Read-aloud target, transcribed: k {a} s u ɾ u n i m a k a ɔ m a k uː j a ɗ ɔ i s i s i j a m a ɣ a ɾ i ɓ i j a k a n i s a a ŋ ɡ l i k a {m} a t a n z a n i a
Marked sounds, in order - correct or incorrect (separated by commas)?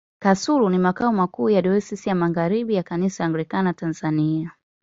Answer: correct, incorrect